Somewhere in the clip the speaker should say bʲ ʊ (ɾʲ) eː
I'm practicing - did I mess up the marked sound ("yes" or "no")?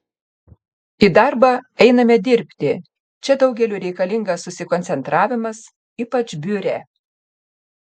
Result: no